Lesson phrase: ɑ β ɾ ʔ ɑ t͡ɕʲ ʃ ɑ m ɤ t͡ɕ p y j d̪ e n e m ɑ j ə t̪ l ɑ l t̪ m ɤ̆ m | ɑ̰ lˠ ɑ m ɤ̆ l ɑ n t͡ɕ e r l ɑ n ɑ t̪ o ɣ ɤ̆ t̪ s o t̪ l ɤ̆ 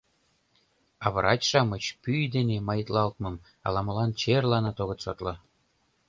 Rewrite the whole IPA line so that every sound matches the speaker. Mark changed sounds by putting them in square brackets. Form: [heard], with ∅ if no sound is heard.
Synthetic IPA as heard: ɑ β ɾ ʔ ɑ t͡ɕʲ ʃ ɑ m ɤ t͡ɕ p y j d̪ e n e m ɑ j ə t̪ l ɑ l t̪ m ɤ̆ m | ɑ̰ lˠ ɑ m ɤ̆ l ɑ n t͡ɕ e r l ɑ n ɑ t̪ o ɣ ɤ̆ t̪ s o t̪ l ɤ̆

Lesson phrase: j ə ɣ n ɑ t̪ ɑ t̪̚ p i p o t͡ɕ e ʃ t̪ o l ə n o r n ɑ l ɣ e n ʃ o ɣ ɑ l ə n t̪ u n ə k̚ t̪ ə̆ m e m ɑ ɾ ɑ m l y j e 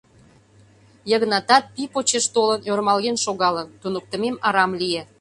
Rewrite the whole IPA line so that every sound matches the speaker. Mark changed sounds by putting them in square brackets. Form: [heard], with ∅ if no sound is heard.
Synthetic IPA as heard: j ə ɣ n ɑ t̪ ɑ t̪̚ p i p o t͡ɕ e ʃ t̪ o l ə n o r [m] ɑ l ɣ e n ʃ o ɣ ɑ l ə n t̪ u n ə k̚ t̪ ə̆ m e m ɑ ɾ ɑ m l [i] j e

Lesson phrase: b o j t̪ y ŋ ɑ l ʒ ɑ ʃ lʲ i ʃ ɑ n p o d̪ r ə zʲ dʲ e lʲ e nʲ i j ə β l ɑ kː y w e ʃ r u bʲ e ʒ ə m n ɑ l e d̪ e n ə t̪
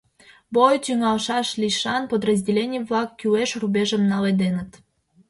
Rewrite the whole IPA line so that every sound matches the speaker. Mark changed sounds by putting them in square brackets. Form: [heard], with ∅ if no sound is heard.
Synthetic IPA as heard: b o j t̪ y ŋ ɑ l [ʃ] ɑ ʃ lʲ i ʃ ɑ n p o d̪ r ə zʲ dʲ e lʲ e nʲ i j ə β l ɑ kː y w e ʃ r u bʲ e ʒ ə m n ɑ l e d̪ e n ə t̪

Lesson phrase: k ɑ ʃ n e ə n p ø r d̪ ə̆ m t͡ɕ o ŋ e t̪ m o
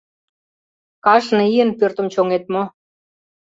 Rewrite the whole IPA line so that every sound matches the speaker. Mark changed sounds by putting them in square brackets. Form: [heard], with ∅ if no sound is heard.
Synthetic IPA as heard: k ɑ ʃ n [i] ə n p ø r [t̪] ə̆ m t͡ɕ o ŋ e t̪ m o

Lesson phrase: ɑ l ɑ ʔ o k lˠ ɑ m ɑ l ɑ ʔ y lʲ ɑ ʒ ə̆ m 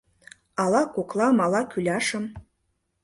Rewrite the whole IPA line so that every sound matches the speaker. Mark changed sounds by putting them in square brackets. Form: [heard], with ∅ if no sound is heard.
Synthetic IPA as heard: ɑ l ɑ [k] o k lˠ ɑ m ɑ l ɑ [k] y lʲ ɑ [ʃ] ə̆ m

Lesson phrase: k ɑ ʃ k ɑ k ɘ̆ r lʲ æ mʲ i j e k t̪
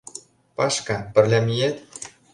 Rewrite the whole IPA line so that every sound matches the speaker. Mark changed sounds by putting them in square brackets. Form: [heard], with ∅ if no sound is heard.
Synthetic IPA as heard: [p] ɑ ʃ k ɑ [p] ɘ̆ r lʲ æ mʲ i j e [∅] t̪

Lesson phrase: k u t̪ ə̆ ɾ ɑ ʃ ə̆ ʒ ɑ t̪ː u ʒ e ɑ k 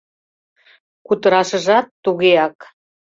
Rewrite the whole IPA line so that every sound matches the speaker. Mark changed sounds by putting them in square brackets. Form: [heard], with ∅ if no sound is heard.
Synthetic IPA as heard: k u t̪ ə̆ ɾ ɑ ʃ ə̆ ʒ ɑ t̪ː u [ɣ] e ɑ k

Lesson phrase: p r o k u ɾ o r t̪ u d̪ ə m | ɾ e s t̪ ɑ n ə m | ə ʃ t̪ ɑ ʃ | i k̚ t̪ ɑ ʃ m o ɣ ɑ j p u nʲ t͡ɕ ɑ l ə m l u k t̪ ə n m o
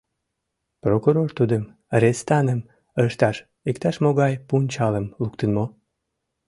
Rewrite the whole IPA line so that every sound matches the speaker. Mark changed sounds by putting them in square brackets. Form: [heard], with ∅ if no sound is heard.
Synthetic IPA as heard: p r o k u ɾ o r t̪ u d̪ ə m | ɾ e s t̪ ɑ n ə m | ə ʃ t̪ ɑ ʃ | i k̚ t̪ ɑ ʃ m o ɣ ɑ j p u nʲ t͡ɕ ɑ l ə m l u k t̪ ə n m o

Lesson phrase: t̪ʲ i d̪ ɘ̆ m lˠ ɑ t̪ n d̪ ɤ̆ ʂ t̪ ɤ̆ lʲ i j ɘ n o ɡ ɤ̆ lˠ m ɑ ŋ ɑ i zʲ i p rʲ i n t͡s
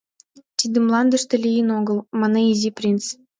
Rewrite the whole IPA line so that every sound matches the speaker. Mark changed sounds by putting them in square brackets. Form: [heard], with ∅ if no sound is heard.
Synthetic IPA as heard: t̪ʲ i d̪ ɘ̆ m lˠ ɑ [∅] n d̪ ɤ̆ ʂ t̪ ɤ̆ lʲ i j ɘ n o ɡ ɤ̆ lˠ m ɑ [n] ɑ i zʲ i p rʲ i n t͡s

